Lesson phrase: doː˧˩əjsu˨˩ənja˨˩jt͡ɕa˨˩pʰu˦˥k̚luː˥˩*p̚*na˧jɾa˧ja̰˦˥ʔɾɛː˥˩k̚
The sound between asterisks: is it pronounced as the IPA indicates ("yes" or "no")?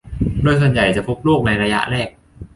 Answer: no